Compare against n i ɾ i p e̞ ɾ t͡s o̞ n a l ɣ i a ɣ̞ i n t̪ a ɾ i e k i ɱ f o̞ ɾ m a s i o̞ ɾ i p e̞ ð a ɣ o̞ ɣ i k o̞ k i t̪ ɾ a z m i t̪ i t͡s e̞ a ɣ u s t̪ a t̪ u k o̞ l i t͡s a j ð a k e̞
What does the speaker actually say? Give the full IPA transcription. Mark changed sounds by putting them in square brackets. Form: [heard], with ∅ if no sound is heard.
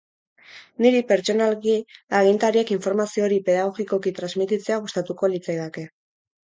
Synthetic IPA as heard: n i ɾ i p e̞ ɾ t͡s o̞ n a l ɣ i a ɣ̞ i n t̪ a ɾ i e k i ɱ f o̞ ɾ m a s i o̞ ɾ i p e̞ ð a ɣ o̞ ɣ i k o̞ k i t̪ ɾ a z m i t̪ i t͡s e̞ a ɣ u s t̪ a t̪ u k o̞ l i t͡s a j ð a k e̞